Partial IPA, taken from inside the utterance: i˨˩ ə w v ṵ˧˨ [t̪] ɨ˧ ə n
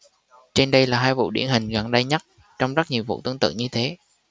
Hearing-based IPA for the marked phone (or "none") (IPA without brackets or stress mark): t̪